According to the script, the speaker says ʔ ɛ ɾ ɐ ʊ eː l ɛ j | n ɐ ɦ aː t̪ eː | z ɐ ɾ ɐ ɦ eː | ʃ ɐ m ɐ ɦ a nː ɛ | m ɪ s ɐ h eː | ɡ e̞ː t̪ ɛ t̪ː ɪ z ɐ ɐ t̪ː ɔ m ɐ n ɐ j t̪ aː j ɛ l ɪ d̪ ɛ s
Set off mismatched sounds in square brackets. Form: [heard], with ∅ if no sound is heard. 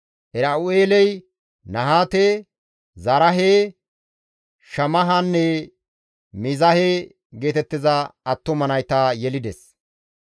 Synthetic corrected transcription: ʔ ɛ ɾ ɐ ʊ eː l ɛ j | n ɐ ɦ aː t̪ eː | z ɐ ɾ ɐ ɦ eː | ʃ ɐ m ɐ ɦ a nː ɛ | m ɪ [z] ɐ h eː | ɡ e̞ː t̪ ɛ t̪ː ɪ z ɐ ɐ t̪ː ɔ m ɐ n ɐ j t̪ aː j ɛ l ɪ d̪ ɛ s